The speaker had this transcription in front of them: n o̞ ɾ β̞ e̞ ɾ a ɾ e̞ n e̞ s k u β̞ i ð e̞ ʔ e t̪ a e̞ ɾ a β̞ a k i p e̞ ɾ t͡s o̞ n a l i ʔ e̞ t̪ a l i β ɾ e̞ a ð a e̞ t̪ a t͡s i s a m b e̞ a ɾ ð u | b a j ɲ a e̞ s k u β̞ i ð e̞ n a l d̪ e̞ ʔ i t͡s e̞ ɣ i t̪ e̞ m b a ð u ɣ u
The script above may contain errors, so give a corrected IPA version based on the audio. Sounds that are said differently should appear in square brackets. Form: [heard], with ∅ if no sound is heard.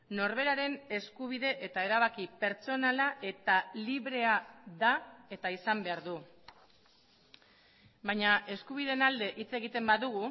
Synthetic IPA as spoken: n o̞ ɾ β̞ e̞ ɾ a ɾ e̞ n e̞ s k u β̞ i ð e̞ ʔ e t̪ a e̞ ɾ a β̞ a k i p e̞ ɾ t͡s o̞ n a l [a] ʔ e̞ t̪ a l i β ɾ e̞ a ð a e̞ t̪ a [∅] i s a m b e̞ a ɾ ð u | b a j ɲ a e̞ s k u β̞ i ð e̞ n a l d̪ e̞ ʔ i t͡s e̞ ɣ i t̪ e̞ m b a ð u ɣ u